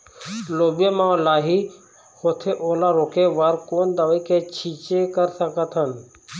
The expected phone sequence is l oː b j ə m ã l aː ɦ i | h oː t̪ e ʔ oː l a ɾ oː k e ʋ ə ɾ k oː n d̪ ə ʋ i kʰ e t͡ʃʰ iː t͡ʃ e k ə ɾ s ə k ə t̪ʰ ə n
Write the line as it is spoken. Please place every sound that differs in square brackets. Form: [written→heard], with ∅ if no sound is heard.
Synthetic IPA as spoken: l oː b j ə m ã l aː ɦ i | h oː [t̪→t̪ʰ] e ʔ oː l a ɾ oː k e ʋ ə ɾ k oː n d̪ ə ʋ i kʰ e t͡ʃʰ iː t͡ʃ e k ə ɾ s ə k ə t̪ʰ ə n